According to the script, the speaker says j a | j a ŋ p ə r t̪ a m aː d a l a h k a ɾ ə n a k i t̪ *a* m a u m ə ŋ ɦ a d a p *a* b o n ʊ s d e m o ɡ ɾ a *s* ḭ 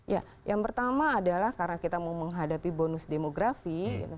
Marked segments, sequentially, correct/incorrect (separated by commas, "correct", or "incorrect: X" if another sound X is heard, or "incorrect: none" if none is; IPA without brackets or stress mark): correct, incorrect: i, incorrect: f